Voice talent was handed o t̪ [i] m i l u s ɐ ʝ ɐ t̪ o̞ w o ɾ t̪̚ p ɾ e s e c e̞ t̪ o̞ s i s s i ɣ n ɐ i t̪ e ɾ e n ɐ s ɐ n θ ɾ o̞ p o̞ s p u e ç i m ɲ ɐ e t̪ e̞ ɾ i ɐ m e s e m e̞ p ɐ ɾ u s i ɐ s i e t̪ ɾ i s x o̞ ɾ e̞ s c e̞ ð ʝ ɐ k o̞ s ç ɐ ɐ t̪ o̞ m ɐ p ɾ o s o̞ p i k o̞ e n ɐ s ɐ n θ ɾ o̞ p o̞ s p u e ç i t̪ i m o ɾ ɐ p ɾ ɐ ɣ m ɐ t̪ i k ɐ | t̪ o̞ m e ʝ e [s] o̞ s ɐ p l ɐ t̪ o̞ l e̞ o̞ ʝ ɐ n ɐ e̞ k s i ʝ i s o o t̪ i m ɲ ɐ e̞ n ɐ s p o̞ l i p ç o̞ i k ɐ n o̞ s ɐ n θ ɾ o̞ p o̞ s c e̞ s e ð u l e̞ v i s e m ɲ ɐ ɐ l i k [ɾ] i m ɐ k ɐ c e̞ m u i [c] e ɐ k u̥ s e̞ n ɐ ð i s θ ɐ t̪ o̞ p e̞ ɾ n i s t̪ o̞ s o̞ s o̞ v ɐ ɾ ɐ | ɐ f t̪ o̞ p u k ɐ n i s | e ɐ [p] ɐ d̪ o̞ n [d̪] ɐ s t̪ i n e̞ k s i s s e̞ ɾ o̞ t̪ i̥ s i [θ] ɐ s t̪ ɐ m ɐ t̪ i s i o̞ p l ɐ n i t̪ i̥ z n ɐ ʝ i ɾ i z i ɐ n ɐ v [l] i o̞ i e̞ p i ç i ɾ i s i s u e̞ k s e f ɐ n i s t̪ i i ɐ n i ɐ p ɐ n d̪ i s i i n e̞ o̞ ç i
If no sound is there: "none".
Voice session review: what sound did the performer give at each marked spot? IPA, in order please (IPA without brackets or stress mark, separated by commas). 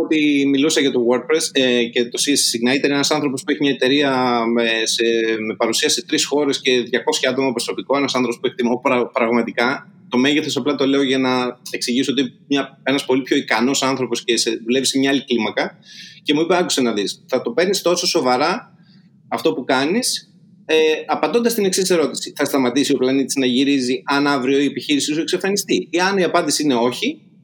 i, θ, l, p, p, d̪, θ, ɾ